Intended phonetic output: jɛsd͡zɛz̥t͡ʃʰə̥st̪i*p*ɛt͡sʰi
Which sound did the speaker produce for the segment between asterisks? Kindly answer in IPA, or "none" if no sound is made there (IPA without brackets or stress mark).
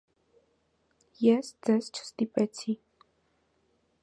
p